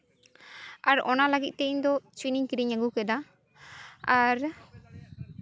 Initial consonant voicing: voiced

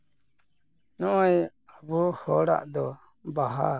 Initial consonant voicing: voiced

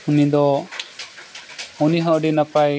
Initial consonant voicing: voiced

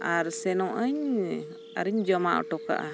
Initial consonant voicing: voiced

